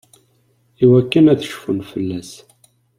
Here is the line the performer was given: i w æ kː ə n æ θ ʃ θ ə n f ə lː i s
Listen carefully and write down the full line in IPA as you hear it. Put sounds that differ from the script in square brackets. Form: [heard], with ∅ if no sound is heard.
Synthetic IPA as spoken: i w æ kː ə n æ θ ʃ [f] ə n f ə lː [æ] s